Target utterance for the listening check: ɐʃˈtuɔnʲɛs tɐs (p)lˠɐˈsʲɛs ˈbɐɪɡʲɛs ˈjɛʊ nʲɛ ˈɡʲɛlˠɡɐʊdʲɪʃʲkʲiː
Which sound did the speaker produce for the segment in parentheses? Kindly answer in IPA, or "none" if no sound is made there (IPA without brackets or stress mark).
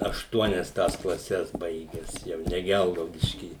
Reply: k